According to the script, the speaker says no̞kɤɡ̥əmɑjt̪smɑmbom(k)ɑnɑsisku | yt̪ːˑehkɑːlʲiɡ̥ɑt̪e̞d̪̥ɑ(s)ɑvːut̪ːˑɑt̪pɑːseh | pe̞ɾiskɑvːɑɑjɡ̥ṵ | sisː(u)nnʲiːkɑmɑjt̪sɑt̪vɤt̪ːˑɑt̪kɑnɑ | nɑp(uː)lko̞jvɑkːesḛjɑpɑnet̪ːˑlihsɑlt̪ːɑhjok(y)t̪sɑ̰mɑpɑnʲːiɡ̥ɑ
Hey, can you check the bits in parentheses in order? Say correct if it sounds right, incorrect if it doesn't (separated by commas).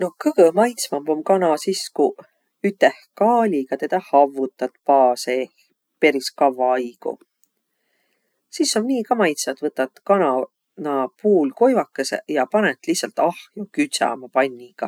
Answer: correct, incorrect, incorrect, correct, correct